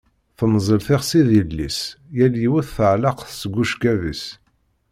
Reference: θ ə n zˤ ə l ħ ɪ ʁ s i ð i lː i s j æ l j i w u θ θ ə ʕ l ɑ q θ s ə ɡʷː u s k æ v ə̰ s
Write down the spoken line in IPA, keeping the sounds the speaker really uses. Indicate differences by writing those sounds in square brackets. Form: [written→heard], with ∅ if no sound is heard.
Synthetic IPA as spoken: θ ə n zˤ ə l [ħ→θ] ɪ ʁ s i ð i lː i s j æ l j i w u θ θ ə ʕ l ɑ q θ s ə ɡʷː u [s→ʃ] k æ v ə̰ s